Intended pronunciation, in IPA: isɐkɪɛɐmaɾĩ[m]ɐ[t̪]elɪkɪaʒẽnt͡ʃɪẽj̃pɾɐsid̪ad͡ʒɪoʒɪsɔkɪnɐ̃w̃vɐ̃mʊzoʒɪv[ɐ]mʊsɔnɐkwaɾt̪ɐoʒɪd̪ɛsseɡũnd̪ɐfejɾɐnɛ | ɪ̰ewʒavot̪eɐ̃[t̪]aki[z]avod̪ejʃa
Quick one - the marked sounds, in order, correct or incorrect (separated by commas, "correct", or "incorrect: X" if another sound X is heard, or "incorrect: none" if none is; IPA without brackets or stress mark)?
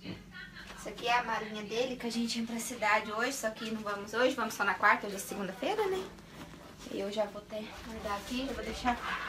incorrect: ɲ, incorrect: d̪, incorrect: ɐ̃, incorrect: d̪, incorrect: ʒ